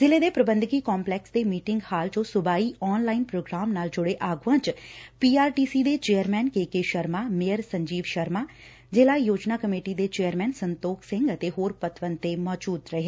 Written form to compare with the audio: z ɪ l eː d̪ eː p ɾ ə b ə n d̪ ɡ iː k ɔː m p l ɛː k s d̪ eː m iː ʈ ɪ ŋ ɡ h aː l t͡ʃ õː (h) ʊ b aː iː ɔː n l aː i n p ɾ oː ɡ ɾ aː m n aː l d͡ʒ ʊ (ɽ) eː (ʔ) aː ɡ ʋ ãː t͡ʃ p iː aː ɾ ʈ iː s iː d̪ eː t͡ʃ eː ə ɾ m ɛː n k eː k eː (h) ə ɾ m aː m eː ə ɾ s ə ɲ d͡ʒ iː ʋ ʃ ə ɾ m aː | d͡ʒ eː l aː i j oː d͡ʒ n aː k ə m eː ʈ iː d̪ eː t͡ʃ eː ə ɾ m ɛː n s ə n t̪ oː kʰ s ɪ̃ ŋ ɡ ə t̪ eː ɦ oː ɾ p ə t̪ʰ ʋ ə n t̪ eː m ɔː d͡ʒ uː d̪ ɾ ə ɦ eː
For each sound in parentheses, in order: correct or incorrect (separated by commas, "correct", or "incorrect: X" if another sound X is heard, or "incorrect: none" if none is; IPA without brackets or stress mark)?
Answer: incorrect: s, correct, correct, incorrect: ʃ